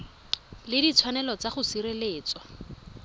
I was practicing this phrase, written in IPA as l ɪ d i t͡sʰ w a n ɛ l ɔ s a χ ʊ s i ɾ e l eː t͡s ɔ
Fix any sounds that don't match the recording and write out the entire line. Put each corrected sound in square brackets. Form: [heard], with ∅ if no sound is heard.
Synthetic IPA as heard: l ɪ d i t͡sʰ w a n ɛ l ɔ [t͡s] a χ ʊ s i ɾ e l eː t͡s ɔ